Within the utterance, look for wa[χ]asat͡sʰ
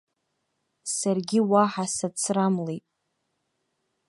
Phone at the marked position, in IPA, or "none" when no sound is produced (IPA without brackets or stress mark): ħ